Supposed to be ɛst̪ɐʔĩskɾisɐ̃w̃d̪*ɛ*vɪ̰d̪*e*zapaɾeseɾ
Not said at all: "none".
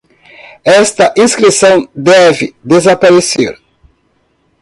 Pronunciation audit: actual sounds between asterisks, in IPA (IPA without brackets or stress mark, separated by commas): ɛ, e